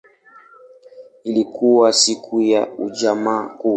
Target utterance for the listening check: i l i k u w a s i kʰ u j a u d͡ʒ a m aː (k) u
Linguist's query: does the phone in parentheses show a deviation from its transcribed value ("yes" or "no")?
no